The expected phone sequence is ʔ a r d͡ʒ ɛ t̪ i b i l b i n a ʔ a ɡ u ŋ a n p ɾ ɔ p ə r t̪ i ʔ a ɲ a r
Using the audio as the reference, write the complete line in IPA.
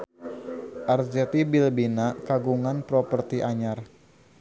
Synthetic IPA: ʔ a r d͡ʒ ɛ t̪ i b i l b i n a k a ɡ u ŋ a n p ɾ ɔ p ə r t̪ i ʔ a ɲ a r